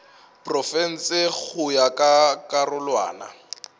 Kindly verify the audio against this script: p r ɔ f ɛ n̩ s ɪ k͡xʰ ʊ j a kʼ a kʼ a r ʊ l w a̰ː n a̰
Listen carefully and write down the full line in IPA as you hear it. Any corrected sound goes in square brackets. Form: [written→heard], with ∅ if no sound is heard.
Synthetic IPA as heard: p r ɔ f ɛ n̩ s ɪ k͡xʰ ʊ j a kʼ a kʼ a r ʊ l w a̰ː n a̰